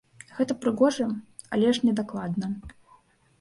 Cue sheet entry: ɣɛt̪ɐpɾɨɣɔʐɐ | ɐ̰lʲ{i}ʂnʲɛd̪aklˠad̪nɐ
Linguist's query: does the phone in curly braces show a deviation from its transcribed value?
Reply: yes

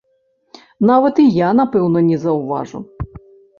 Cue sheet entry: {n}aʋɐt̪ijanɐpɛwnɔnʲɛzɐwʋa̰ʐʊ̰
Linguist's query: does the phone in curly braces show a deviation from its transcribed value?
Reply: no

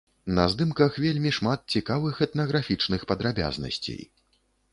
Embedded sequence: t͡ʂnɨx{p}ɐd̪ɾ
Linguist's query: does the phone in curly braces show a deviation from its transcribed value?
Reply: no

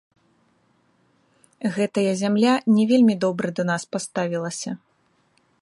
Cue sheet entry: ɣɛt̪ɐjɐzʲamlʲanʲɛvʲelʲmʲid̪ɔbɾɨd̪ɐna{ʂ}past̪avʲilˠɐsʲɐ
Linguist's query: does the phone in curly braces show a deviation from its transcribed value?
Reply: yes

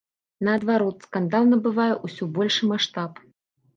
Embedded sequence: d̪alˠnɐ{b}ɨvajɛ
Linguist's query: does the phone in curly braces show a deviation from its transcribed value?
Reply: no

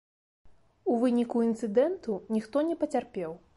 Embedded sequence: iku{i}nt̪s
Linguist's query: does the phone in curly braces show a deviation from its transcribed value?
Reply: no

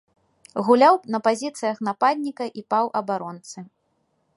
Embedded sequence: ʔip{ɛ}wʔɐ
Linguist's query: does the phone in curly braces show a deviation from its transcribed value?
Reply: yes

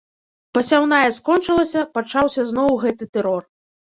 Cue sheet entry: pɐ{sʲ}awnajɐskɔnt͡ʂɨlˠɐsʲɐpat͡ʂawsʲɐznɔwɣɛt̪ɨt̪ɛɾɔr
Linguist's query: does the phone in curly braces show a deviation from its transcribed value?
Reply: no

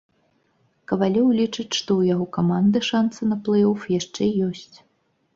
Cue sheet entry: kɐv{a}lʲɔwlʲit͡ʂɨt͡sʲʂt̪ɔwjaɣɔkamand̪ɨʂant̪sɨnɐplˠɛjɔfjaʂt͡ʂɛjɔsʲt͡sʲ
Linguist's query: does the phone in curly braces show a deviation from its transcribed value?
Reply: no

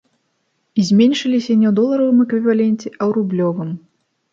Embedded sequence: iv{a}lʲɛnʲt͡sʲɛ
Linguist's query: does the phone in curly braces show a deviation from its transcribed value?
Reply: no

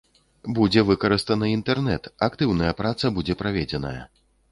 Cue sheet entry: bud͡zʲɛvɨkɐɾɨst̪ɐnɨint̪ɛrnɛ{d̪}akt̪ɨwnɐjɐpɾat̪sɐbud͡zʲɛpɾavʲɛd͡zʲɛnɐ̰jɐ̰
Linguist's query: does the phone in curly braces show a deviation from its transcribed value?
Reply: yes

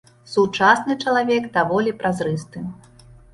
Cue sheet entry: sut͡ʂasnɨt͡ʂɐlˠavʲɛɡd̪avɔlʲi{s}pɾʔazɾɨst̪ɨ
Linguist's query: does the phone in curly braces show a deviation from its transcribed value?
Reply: yes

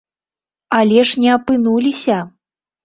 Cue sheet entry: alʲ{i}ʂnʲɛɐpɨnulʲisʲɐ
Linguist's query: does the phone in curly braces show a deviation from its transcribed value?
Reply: yes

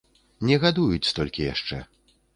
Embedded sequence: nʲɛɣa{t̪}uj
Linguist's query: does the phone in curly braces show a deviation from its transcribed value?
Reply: yes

